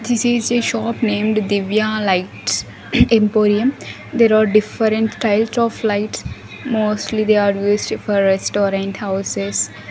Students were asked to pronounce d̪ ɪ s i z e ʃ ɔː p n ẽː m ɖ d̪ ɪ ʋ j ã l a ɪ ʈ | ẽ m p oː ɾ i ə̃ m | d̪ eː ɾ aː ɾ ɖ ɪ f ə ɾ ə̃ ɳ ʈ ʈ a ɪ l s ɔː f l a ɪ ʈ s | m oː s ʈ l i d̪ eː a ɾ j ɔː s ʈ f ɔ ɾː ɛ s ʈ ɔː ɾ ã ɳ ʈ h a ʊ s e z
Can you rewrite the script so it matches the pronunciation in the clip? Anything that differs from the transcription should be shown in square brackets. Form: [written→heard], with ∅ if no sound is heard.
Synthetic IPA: d̪ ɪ s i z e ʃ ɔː p n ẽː m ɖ d̪ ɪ ʋ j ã l a ɪ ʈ | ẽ m p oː ɾ i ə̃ m | d̪ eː ɾ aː ɾ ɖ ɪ f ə ɾ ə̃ ɳ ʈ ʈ a ɪ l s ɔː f l a ɪ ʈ s | m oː s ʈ l i d̪ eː a ɾ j [ɔː→uː] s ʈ f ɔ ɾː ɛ s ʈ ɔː ɾ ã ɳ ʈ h a ʊ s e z